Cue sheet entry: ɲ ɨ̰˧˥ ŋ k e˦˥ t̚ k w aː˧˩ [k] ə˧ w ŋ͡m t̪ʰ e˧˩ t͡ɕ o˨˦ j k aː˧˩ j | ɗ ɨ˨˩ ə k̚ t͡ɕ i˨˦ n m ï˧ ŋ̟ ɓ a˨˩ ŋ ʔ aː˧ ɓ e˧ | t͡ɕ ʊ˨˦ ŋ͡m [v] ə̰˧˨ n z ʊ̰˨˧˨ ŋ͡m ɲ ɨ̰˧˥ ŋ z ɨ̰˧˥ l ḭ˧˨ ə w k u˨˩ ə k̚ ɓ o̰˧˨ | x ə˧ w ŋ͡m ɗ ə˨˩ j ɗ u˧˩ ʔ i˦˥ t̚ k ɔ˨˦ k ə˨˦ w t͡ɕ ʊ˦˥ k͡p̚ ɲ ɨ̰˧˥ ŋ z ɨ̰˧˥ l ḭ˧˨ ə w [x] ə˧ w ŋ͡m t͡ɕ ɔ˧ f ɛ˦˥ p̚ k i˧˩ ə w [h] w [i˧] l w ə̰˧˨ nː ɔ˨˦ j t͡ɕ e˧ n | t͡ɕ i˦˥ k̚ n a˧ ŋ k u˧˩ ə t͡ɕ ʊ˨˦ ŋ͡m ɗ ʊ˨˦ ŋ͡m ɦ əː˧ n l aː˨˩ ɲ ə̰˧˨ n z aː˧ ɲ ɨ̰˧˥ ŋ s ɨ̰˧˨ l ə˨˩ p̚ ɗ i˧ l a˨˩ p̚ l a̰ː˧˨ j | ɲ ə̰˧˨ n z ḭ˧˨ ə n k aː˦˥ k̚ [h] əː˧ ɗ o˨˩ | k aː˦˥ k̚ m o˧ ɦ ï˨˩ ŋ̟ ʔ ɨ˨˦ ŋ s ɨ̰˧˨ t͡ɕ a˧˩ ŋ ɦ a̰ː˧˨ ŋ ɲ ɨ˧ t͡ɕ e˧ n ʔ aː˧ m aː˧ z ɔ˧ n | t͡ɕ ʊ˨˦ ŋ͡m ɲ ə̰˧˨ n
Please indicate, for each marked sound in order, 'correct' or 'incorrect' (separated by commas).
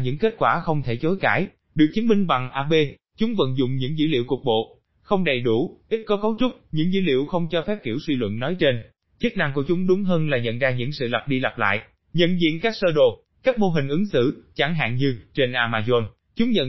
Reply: incorrect, correct, correct, incorrect, correct, incorrect